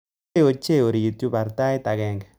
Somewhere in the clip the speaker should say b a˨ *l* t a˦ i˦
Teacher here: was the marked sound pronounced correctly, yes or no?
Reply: no